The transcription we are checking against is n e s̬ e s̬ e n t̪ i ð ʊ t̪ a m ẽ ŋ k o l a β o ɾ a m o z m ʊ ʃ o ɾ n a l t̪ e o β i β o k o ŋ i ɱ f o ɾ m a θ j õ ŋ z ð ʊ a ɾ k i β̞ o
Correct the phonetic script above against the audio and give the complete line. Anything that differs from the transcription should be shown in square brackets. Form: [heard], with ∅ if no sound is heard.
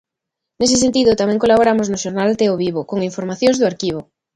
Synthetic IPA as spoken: n e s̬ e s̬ e n t̪ i ð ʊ t̪ a m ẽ ŋ k o l a β o ɾ a m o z [n] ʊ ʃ o ɾ n a l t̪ e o β i β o k o ŋ i ɱ f o ɾ m a θ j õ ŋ z ð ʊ a ɾ k i β̞ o